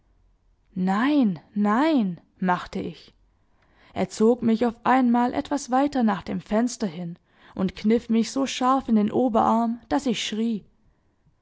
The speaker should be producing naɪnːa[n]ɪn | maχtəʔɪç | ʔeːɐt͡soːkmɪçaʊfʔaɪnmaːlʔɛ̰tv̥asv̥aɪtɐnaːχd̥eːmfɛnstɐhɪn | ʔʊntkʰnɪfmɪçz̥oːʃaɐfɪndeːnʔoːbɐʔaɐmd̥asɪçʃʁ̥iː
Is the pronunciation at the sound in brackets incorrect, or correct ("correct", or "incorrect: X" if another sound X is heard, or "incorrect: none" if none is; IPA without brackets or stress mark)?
incorrect: none